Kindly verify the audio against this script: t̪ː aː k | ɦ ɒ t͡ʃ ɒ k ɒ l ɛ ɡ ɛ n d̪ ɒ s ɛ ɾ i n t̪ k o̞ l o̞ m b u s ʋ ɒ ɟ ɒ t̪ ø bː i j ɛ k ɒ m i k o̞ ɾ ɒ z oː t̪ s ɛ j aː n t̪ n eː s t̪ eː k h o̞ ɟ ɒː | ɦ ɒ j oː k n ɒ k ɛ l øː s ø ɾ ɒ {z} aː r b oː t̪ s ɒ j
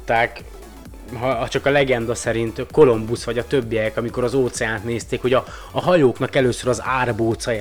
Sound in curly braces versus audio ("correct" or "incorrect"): correct